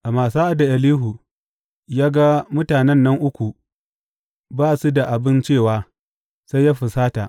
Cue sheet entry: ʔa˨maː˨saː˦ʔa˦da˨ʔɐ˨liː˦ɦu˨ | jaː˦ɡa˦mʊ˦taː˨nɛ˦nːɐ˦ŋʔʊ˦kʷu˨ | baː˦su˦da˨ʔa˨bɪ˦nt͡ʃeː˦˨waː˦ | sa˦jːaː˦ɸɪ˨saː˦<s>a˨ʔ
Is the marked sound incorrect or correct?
incorrect: t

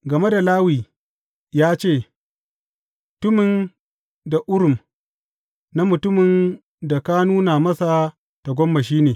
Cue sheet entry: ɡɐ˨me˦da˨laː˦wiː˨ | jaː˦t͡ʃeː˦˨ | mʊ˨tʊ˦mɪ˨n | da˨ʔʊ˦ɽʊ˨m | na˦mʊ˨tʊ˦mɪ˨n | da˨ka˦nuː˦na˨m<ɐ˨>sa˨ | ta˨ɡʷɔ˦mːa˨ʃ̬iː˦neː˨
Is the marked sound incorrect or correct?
incorrect: ɐ˦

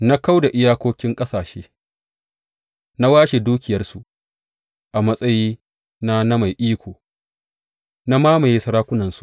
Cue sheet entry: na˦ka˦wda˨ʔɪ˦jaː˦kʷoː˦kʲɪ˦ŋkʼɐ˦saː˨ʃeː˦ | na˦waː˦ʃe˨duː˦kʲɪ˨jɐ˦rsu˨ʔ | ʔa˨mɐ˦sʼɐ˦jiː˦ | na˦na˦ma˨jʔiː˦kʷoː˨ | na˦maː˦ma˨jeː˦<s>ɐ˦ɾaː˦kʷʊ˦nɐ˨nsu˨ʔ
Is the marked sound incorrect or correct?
correct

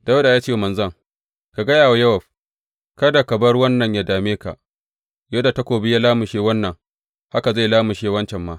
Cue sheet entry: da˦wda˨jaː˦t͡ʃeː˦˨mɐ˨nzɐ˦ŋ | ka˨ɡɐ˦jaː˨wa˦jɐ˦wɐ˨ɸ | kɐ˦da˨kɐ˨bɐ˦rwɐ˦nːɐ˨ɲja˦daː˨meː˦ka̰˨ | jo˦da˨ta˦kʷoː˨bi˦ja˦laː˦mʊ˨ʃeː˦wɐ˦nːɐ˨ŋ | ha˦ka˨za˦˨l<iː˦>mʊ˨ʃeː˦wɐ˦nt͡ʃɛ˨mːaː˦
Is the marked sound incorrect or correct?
incorrect: aː˦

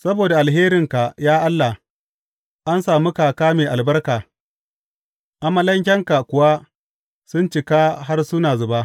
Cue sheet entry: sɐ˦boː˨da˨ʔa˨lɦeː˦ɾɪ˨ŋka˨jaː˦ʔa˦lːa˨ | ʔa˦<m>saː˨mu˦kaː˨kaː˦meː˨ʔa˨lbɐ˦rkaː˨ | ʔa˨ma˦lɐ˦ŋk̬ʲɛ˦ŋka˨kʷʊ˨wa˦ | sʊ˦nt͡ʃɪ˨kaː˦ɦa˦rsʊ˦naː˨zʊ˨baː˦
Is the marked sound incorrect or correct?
incorrect: n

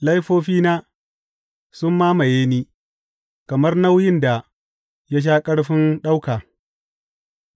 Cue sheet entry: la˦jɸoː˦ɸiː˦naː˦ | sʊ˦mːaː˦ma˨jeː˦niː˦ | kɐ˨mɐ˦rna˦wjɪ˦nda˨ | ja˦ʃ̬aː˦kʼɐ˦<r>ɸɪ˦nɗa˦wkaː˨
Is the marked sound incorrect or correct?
incorrect: ɽ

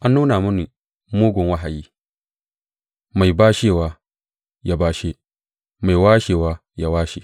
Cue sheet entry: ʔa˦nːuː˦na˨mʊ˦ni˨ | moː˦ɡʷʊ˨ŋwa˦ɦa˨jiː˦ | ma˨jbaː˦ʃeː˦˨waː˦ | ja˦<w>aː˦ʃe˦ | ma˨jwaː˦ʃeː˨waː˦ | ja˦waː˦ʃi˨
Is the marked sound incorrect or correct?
incorrect: b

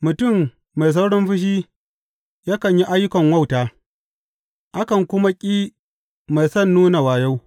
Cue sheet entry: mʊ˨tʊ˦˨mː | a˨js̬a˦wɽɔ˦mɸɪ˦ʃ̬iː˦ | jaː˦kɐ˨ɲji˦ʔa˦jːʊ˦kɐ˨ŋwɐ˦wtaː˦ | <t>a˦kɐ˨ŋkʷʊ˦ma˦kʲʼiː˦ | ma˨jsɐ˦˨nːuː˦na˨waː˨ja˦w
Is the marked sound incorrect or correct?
incorrect: ʔ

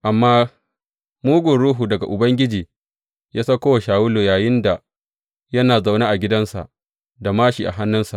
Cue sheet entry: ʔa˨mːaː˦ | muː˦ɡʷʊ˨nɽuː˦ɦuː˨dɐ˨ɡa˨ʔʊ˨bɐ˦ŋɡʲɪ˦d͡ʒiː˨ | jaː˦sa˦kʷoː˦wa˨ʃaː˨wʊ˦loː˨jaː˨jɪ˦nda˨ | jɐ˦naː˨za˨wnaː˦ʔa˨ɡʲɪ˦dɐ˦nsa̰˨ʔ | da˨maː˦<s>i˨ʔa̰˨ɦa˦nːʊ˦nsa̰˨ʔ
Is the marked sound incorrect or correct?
incorrect: ʃ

